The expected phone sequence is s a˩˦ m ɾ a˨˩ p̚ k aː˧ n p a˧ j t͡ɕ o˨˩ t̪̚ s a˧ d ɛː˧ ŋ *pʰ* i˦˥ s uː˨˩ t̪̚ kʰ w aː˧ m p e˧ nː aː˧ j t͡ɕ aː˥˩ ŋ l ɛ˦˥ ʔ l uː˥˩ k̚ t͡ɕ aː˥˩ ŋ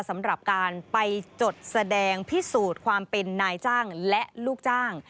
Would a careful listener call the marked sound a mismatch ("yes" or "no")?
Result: no